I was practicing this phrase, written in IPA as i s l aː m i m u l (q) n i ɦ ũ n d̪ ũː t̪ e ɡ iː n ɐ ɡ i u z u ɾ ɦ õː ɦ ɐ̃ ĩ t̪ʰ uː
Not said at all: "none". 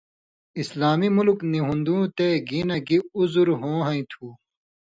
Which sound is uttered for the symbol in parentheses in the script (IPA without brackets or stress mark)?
k